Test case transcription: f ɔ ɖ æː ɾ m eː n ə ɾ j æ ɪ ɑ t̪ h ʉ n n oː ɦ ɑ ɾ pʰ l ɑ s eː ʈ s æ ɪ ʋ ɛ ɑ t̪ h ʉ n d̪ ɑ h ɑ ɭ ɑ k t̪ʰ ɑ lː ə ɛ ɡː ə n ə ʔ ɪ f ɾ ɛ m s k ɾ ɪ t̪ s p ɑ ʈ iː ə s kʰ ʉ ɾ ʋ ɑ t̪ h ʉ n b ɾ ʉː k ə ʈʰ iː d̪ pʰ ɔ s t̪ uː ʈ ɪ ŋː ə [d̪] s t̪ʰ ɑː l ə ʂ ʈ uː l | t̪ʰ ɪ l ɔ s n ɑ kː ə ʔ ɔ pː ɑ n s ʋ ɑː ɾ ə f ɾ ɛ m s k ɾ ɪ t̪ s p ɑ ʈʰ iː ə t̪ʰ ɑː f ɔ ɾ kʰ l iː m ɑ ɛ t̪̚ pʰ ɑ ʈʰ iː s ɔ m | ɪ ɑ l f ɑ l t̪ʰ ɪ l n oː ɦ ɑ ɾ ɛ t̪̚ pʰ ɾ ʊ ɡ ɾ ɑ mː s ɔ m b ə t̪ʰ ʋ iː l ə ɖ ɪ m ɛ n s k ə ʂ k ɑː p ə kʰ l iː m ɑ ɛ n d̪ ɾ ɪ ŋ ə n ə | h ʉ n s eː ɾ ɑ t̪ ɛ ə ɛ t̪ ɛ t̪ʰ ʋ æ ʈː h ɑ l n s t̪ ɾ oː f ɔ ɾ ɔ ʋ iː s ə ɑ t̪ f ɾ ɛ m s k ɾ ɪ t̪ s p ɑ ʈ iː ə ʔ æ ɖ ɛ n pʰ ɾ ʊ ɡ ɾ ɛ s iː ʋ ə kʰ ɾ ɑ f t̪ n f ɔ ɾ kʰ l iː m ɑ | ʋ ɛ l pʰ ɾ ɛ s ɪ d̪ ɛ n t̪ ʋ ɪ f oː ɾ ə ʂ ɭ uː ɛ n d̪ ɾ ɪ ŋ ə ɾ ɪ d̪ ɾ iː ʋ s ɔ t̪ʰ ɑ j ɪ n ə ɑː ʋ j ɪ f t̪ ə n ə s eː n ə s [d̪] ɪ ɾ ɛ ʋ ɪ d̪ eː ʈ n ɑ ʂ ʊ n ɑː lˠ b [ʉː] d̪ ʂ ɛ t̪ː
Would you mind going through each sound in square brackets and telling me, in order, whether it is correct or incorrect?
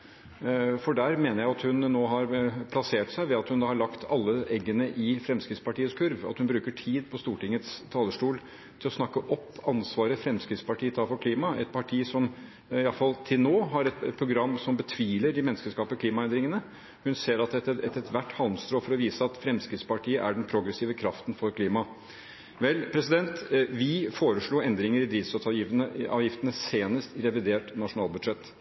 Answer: incorrect: t̪, incorrect: t̪, incorrect: ʉ

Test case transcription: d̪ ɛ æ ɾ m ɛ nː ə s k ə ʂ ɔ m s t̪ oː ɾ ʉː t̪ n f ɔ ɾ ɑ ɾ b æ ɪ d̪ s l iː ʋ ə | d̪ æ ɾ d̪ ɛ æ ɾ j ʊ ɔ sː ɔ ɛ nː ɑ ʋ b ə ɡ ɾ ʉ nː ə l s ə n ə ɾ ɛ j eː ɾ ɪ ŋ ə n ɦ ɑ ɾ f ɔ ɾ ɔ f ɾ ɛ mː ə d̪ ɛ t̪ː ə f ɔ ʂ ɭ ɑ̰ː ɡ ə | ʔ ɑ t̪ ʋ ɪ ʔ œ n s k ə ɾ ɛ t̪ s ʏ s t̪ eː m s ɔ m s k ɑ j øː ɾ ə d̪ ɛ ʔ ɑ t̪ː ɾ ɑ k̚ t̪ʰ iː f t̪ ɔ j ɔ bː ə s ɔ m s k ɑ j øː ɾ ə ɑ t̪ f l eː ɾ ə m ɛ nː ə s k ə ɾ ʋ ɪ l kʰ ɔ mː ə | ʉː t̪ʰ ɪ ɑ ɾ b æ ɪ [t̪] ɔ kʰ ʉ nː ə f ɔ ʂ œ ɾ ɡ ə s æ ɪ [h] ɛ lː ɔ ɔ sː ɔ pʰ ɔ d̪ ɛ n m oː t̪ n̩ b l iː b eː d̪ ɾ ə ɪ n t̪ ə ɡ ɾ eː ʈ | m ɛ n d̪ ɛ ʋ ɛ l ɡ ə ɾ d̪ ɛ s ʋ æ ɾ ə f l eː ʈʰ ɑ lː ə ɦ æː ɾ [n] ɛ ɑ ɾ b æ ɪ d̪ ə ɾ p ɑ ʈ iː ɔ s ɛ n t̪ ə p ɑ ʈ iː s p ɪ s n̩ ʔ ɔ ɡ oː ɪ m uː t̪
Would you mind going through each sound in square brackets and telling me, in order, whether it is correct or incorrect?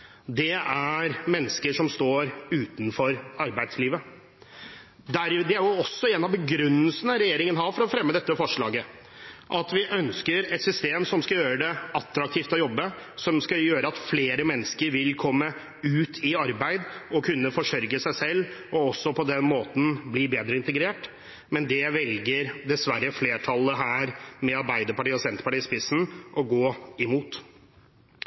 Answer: incorrect: d̪, incorrect: s, incorrect: m

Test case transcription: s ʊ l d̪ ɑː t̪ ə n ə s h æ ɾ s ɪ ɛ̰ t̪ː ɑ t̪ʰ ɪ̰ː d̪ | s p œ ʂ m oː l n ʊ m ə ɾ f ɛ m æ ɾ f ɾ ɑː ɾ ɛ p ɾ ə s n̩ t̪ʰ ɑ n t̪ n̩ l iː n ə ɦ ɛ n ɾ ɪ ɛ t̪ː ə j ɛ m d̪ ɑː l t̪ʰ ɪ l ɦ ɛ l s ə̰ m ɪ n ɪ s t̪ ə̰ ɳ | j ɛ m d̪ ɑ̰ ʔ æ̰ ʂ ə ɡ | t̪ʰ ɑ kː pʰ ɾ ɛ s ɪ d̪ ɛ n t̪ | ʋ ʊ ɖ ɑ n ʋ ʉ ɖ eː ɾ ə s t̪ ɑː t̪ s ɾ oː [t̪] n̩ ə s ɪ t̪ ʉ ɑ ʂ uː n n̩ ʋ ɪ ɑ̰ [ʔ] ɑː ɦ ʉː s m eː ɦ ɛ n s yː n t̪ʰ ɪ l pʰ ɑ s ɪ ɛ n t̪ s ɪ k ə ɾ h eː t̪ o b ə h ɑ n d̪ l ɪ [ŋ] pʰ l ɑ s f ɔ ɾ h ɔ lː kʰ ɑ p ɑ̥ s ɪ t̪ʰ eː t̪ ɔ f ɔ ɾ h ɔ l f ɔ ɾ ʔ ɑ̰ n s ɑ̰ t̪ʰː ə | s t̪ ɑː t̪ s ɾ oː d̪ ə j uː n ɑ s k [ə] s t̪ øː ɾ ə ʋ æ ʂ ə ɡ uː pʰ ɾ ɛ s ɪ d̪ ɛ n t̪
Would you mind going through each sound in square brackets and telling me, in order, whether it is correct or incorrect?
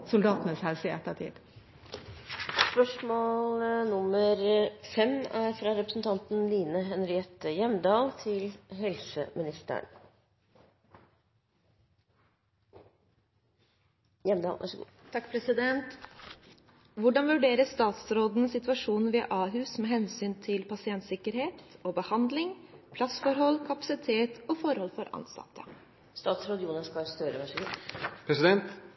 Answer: incorrect: d̪, correct, correct, incorrect: ɑ

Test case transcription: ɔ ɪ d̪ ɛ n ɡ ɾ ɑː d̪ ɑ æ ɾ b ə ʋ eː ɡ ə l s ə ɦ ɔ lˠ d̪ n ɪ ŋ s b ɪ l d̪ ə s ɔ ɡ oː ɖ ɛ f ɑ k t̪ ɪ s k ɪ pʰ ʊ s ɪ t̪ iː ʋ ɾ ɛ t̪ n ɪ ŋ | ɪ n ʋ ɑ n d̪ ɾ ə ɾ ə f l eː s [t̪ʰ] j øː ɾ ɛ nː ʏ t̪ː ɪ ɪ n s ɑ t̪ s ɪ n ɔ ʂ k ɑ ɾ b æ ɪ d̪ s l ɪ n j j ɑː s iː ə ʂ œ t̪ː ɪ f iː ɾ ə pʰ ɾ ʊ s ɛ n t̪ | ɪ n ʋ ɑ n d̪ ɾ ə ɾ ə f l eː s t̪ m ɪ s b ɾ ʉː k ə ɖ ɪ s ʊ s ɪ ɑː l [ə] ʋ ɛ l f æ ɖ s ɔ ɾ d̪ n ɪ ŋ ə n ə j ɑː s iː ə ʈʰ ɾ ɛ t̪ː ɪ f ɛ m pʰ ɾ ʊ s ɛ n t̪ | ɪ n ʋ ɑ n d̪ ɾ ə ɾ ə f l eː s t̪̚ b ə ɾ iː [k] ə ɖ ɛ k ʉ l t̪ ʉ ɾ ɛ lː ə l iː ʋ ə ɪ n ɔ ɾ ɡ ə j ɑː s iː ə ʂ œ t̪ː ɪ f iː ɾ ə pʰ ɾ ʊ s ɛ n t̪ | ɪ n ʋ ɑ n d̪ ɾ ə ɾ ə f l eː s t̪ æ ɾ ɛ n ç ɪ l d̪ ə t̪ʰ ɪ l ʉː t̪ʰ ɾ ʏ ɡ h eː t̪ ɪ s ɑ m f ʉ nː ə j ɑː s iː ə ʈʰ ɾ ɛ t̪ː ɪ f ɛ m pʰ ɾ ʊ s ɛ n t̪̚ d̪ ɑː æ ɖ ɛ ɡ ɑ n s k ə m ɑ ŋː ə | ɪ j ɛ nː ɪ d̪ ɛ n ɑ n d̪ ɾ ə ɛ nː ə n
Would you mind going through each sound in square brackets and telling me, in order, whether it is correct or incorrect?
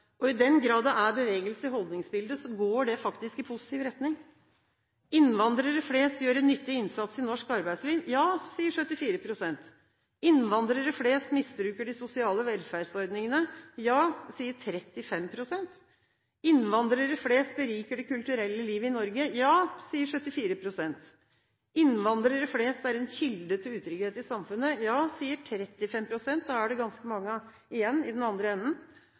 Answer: incorrect: t̪, correct, correct

